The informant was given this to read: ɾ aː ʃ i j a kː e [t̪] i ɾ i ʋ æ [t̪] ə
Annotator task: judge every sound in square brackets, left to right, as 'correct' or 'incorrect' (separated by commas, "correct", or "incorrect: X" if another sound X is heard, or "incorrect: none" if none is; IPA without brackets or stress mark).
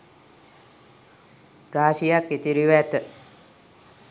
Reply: correct, correct